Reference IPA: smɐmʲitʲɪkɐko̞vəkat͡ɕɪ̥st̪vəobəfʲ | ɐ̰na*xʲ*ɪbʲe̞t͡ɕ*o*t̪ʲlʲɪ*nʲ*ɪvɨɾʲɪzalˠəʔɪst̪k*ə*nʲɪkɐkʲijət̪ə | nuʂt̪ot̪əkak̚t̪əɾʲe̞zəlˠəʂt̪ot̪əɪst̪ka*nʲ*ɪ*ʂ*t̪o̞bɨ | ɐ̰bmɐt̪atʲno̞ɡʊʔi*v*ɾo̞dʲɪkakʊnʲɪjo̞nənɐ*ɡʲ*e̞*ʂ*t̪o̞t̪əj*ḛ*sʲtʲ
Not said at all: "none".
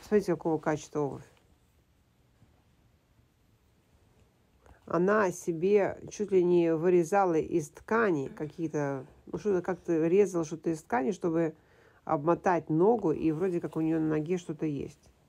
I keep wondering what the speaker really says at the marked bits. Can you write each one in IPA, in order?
sʲ, u, nʲ, a, nʲ, ʂ, v, ɡʲ, ʂ, ḛ

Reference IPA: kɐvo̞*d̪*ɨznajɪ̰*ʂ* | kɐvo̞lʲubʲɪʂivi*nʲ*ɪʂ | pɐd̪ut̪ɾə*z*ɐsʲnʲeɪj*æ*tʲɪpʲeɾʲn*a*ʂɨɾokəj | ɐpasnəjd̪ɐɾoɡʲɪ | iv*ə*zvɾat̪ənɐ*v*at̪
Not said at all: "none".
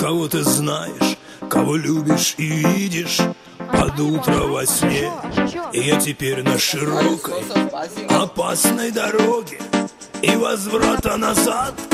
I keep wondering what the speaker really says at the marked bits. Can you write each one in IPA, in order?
t̪, ʂ, dʲ, v, a, ə, ɐ, z

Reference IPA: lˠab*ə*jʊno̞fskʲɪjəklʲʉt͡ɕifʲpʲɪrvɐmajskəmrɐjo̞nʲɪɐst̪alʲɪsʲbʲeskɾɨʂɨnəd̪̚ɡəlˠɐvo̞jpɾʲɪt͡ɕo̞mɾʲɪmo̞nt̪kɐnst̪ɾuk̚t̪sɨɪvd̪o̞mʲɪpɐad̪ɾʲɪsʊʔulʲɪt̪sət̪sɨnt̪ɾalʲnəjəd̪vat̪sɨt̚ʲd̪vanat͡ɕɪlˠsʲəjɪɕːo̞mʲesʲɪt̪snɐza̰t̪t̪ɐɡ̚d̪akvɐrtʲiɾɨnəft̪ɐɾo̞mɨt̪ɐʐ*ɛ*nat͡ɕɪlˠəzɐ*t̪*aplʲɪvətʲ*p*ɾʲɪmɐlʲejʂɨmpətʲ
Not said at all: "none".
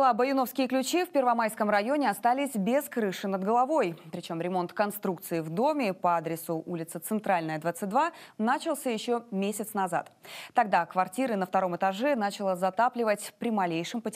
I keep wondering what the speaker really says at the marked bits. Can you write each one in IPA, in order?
ə, ɛ, t̪, p

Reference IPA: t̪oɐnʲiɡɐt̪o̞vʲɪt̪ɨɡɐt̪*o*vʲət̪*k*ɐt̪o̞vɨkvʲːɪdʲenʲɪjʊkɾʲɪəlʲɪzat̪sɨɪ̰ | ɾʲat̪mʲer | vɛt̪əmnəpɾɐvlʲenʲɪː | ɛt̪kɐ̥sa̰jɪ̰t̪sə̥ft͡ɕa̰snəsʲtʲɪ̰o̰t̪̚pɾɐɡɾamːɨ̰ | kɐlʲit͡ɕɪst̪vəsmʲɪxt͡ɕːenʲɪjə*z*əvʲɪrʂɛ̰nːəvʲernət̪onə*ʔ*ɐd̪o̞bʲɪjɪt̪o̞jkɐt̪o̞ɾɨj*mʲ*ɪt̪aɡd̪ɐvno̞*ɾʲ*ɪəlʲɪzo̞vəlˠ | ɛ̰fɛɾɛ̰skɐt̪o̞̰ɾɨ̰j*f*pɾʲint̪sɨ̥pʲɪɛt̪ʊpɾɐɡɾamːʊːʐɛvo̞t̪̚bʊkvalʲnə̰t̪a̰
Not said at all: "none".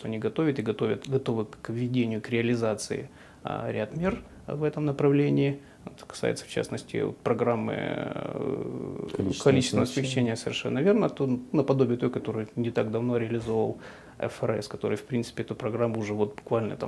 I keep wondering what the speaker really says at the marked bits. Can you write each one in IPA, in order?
o, ɡ, s, p, nʲ, ɾʲ, f

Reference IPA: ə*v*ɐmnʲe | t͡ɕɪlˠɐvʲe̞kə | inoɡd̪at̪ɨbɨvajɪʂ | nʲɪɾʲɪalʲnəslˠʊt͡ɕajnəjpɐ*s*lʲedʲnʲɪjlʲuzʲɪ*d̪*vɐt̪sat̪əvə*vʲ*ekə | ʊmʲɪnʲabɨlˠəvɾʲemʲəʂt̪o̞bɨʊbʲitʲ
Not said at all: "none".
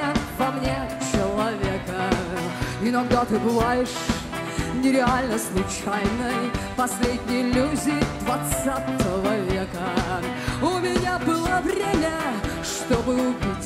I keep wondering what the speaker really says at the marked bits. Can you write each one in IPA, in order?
v, s, d̪, vʲ

